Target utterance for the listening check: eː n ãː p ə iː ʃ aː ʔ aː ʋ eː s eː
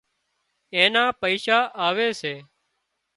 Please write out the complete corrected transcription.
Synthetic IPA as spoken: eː n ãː p ə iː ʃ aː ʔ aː ʋ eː s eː